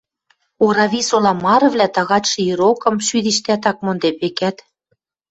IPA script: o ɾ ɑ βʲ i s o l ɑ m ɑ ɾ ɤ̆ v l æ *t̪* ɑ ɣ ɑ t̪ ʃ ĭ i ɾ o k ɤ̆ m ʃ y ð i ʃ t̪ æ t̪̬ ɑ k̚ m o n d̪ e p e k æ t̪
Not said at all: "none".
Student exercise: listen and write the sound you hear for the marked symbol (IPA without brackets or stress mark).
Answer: t̪